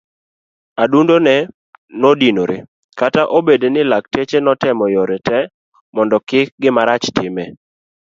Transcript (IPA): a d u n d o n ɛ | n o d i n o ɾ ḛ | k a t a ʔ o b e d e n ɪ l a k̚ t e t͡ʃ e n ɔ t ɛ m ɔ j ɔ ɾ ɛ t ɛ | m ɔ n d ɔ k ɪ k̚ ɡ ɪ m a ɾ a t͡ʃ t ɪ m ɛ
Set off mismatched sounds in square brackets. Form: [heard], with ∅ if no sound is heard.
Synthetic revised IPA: a d u n d o n ɛ | n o d i n o ɾ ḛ | k a t a ʔ o b e d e n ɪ l a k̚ t e t͡ʃ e n ɔ t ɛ m ɔ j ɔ ɾ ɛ t ɛ | m ɔ n d ɔ k ɪ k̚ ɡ ɪ m a ɾ a t͡ʃ t ɪ m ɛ